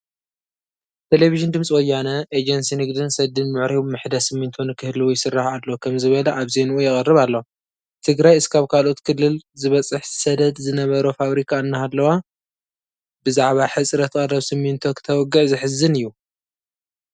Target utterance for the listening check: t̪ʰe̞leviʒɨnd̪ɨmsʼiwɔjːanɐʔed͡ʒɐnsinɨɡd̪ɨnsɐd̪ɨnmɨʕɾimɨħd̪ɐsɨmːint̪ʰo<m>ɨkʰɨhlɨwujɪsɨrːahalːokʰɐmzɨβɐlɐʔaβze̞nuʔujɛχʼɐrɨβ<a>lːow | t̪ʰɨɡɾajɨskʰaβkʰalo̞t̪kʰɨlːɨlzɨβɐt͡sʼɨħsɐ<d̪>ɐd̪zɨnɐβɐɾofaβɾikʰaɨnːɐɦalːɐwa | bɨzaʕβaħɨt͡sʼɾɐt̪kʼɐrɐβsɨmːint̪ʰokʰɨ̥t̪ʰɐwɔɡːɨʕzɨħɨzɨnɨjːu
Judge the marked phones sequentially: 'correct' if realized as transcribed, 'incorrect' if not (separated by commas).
incorrect, correct, correct